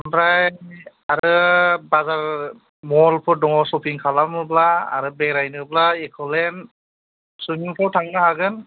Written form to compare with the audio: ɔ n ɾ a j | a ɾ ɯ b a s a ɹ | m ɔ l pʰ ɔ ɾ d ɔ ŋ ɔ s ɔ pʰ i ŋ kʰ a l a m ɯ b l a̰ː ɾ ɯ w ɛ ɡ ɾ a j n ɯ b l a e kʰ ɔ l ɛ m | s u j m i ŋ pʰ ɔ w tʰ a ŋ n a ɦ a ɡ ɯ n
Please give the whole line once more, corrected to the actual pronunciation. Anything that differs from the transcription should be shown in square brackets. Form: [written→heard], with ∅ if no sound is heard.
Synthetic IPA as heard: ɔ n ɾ a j | a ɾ ɯ b a [s→z] a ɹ | m ɔ l pʰ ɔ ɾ d ɔ ŋ ɔ s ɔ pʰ i ŋ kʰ a l a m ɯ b l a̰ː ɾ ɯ [w→b] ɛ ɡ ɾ a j n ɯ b l a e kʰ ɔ l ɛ [m→n] | s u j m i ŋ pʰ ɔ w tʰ a ŋ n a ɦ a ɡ ɯ n